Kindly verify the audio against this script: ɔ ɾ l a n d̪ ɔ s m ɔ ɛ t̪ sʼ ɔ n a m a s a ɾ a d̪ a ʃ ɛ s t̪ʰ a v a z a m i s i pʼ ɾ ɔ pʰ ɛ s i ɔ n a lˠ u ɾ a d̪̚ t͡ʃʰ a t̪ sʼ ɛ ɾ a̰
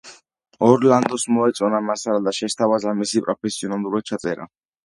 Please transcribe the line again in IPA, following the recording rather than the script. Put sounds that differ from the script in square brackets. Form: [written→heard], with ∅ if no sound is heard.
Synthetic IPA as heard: ɔ ɾ l a n d̪ ɔ s m ɔ ɛ t̪ sʼ ɔ n a m a s a ɾ a d̪ a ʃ ɛ s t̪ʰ a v a z a m i s i pʼ ɾ ɔ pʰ ɛ s i ɔ n a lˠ u ɾ a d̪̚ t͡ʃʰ a t̪ sʼ ɛ ɾ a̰

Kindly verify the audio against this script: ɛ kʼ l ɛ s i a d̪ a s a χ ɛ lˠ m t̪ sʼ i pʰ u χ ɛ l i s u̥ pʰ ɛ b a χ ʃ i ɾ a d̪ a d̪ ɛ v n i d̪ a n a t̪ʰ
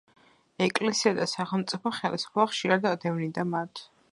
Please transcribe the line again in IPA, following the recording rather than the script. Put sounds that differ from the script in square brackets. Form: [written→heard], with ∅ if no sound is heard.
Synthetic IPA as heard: ɛ kʼ l ɛ s i a d̪ a s a χ ɛ lˠ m t̪ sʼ i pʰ [u→ɔ] χ ɛ l i s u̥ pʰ ɛ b a χ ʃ i ɾ a d̪ a d̪ ɛ v n i d̪ a [n→m] a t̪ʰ

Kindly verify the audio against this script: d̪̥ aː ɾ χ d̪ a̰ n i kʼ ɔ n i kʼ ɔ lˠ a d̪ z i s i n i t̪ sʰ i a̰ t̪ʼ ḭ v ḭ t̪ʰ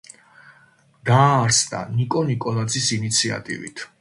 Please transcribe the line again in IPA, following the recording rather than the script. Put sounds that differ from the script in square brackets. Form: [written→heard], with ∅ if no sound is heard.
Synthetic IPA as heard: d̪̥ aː ɾ [χ→s] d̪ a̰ n i kʼ ɔ n i kʼ ɔ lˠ a d̪ z i s i n i t̪ sʰ i a̰ t̪ʼ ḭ v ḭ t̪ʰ

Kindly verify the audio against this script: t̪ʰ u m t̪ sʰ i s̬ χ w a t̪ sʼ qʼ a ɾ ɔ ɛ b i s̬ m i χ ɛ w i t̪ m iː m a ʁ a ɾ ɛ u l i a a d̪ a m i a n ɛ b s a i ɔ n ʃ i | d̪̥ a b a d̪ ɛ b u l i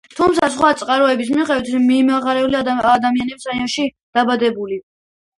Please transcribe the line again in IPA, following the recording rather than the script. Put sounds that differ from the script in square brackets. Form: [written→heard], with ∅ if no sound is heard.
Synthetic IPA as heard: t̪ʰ u m t̪ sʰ [i→a] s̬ χ w a t̪ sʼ qʼ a ɾ ɔ ɛ b i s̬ m i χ ɛ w i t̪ m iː m a ʁ a ɾ ɛ u l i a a d̪ a m i a n ɛ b s a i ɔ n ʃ i | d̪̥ a b a d̪ ɛ b u l i

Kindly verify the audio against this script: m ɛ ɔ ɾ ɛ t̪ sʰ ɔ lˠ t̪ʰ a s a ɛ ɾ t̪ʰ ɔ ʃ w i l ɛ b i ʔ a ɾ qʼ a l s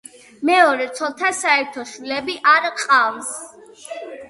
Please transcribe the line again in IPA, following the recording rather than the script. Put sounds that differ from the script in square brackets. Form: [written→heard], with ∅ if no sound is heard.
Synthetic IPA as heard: m ɛ ɔ ɾ ɛ t̪ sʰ ɔ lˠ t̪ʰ a s a ɛ ɾ t̪ʰ ɔ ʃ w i l ɛ b i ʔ a ɾ qʼ a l s

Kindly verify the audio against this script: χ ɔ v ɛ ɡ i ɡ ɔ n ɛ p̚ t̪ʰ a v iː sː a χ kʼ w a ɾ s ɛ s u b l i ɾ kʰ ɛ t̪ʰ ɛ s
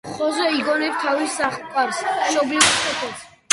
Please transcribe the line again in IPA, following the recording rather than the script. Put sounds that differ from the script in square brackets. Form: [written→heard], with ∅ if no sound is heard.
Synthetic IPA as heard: χ ɔ [v→z] ɛ [ɡ→∅] i ɡ ɔ n ɛ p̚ t̪ʰ a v [iː→i] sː a χ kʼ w a ɾ s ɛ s [u→ɔ] b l i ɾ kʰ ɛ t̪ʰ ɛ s

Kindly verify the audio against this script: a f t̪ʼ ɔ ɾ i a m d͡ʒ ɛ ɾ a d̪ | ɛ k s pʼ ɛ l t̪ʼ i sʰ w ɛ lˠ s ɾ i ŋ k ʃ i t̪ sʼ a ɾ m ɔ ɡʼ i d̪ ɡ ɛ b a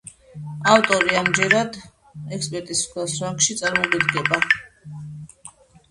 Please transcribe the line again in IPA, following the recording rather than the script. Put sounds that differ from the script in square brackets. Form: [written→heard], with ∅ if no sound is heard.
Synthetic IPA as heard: a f t̪ʼ ɔ ɾ i a m d͡ʒ ɛ ɾ a d̪ | ɛ k s pʼ ɛ [l→ɾ] t̪ʼ i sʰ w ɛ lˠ s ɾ [i→a] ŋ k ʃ i t̪ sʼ a ɾ m ɔ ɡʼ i d̪ ɡ ɛ b a

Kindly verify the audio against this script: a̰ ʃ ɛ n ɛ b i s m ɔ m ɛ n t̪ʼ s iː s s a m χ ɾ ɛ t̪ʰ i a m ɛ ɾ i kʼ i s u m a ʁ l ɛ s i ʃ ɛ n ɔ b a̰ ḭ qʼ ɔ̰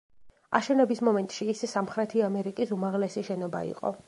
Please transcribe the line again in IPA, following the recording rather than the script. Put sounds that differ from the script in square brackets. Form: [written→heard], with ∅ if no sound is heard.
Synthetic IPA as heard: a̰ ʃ ɛ n ɛ b i s m ɔ m ɛ n t̪ʼ [s→ʃ] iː s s a m χ ɾ ɛ t̪ʰ i a m ɛ ɾ i kʼ i s u m a ʁ l ɛ s i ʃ ɛ n ɔ b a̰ ḭ qʼ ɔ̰

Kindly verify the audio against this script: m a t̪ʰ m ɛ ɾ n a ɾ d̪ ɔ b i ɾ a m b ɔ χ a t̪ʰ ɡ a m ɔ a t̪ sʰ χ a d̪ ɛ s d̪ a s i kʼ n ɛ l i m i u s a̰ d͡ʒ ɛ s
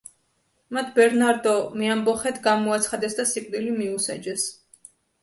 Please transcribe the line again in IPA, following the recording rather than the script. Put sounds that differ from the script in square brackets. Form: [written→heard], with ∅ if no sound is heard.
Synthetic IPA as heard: m a t̪ʰ [m→b] ɛ ɾ n a ɾ d̪ ɔ [b→m] i [ɾ→∅] a m b ɔ χ [a→ɛ] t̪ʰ ɡ a m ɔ a t̪ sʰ χ a d̪ ɛ s d̪ a s i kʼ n [ɛ→i] l i m i u s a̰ d͡ʒ ɛ s

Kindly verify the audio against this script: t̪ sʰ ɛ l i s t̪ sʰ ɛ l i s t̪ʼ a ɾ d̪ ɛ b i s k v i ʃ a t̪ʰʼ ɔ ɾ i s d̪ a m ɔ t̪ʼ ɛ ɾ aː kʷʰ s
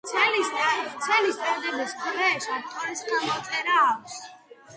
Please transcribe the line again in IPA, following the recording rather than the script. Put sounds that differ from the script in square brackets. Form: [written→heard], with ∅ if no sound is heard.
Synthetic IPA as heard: t̪ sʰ ɛ l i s t̪ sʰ ɛ l i s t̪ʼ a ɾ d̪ ɛ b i s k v [i→ɛ] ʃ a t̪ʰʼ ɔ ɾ i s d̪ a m ɔ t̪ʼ ɛ ɾ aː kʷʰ s

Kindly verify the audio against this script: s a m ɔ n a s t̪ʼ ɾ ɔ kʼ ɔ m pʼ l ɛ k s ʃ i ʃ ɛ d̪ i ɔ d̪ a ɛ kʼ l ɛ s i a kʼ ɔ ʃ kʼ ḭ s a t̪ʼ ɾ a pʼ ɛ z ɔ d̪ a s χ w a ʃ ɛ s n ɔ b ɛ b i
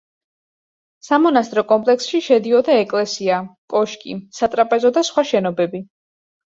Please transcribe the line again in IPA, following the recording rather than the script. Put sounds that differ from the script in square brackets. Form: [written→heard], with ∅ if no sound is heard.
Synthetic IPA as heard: s a m ɔ n a s t̪ʼ ɾ ɔ kʼ ɔ m pʼ l ɛ k s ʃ i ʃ ɛ d̪ i ɔ d̪ a ɛ kʼ l ɛ s i a kʼ ɔ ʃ kʼ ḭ s a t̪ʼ ɾ a pʼ ɛ z ɔ d̪ a s χ w a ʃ ɛ [s→∅] n ɔ b ɛ b i

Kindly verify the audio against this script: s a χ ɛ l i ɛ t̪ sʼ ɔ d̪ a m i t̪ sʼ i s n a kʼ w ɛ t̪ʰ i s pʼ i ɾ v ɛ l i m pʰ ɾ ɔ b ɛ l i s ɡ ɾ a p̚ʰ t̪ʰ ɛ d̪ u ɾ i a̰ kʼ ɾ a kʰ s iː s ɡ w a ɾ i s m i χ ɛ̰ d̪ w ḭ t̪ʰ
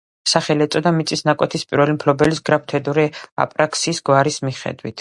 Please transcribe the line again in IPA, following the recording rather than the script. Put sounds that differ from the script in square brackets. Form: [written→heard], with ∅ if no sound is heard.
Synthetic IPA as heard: s a χ ɛ l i ɛ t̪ sʼ ɔ d̪ a m i t̪ sʼ i s n a kʼ w ɛ t̪ʰ i s pʼ i ɾ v ɛ l i m pʰ [ɾ→l] ɔ b ɛ l i s ɡ ɾ a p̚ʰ t̪ʰ ɛ d̪ u ɾ i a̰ [kʼ→pʼ] ɾ a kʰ s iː s ɡ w a ɾ i s m i χ ɛ̰ d̪ w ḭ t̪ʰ

